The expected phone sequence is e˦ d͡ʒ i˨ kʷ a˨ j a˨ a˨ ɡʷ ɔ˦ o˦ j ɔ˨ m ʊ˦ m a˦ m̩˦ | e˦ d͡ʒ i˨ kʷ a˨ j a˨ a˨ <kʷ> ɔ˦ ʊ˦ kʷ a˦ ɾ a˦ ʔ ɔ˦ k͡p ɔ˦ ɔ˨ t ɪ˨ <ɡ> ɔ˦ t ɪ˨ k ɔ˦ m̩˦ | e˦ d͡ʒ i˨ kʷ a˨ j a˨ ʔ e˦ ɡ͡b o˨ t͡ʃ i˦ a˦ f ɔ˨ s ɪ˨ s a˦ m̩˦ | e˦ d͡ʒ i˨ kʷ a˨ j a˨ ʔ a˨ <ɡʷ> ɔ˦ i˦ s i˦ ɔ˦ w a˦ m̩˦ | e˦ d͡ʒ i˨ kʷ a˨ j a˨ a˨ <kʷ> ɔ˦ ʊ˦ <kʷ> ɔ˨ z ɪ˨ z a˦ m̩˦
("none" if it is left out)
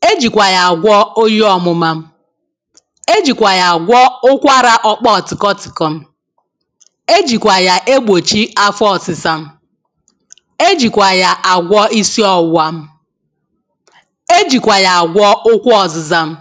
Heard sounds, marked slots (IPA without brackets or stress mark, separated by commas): ɡʷ, k, ɡʷ, ɡʷ, kʷ